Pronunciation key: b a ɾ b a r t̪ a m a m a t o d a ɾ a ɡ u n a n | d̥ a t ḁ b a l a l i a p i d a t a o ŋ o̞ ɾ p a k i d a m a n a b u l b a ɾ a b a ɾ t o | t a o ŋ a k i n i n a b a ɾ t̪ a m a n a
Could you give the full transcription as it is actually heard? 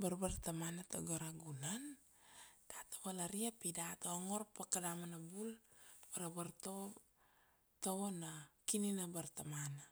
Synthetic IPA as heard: b a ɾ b a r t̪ a m a n a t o ɡ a ɾ a ɡ u n a n | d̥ a t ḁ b a l a ɾ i a p i d a t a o ŋ o̞ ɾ p a k a d a m a n a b u l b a ɾ a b a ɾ t o | t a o n a k i n i n a b a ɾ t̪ a m a n a

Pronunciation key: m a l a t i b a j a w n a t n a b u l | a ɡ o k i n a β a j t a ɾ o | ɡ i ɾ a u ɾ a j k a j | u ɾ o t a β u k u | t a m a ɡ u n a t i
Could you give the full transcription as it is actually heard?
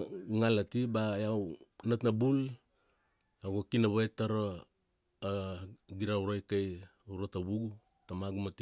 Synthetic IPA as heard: ŋ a l a t i b a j a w n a t n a b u l | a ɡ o k i n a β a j t a ɾ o | ɡ i ɾ a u ɾ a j k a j | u ɾ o t a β u ɡ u | t a m a ɡ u m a t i

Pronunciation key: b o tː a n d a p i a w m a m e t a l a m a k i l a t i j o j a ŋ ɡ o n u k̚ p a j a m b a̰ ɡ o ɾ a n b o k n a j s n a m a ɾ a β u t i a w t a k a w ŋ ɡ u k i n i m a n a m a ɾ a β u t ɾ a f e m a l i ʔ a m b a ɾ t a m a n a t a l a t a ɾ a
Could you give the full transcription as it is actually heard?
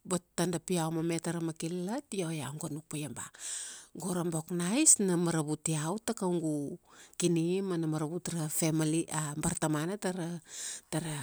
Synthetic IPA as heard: b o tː a n d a p i a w m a m e t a ɾ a m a k i l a t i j o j a ŋ ɡ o n u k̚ p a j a m b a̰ ɡ o ɾ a m b o k n a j s n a m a ɾ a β u t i a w t a k a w ŋ ɡ u k i n i m a n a m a ɾ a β u t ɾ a f e m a l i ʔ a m b a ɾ t a m a n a t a ɾ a t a ɾ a

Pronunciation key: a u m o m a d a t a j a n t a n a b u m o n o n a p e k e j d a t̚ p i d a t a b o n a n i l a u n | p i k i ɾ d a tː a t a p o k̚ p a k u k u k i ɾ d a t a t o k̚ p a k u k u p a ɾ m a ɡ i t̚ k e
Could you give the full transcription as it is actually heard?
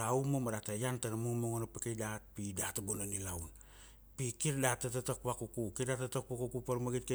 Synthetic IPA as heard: a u m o m a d a t a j a n t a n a m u m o ŋ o n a p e k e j d a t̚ p i d a t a b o n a n i l a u n | p i k i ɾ d a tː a t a t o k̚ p a k u k u k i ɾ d a t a t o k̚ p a k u k u p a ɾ m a ɡ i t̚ k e

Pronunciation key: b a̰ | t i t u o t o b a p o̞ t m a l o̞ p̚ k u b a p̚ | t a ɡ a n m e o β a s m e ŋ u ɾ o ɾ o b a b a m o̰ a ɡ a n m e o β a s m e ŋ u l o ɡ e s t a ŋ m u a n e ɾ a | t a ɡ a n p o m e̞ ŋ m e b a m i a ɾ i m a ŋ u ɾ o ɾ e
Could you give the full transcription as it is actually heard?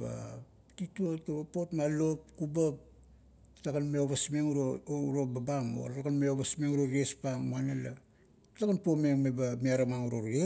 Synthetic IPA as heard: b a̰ | t i t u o t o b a p o̞ t m a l o̞ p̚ k u b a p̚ | t a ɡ a n m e o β a s m e ŋ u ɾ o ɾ o b a b a m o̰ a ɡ a n m e o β a s m e ŋ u ɾ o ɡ e s p a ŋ m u a n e l a | t a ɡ a n p o m e̞ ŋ m e b a m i a ɾ a m a ŋ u ɾ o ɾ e

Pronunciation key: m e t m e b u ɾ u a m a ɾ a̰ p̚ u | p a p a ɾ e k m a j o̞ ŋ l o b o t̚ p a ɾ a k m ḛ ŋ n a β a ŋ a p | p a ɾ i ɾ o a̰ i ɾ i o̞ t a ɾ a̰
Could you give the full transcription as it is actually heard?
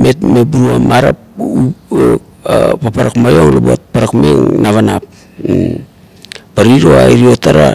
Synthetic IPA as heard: m e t m e b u ɾ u a m a ɾ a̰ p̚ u | p a p a ɾ a k m a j o̞ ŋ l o b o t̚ p a ɾ a k m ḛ ŋ n a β a n a p | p a ɾ i ɾ o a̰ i ɾ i o̞ t a ɾ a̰

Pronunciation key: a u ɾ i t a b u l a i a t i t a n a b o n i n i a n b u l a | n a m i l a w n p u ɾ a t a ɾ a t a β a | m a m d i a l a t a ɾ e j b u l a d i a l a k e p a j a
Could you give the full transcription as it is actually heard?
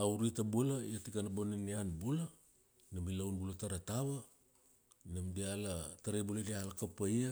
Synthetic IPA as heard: a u ɾ i t a b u l a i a t i k a n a b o n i n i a n b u l a | n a m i l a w n b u l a t a ɾ a t a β a | n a m d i a l a t a ɾ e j b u l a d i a l a k a p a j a

